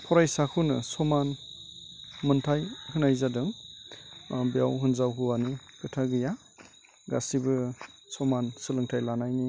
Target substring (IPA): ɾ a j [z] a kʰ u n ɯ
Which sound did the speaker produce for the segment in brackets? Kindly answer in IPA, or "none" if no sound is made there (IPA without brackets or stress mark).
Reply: s